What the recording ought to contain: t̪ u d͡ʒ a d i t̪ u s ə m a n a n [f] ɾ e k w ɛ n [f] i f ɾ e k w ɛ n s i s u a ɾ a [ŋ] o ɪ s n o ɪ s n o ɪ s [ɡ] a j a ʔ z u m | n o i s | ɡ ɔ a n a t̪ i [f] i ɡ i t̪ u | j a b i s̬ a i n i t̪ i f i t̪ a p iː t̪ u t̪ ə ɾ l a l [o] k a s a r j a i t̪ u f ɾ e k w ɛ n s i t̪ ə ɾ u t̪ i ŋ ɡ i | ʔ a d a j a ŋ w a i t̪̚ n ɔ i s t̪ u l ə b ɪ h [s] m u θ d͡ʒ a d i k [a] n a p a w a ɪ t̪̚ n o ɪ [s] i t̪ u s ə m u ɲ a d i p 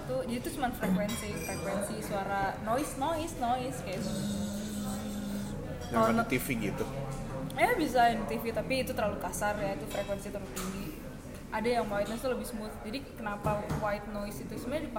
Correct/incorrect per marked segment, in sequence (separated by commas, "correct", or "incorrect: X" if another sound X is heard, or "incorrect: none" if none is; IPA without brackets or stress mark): correct, incorrect: s, incorrect: n, incorrect: k, correct, incorrect: u, correct, incorrect: ə, correct